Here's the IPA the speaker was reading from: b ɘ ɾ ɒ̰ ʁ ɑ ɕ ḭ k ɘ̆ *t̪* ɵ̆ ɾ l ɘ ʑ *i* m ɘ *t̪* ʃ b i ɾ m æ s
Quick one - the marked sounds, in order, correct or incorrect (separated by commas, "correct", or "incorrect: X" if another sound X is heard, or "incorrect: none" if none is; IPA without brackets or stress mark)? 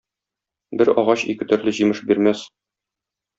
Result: correct, correct, incorrect: none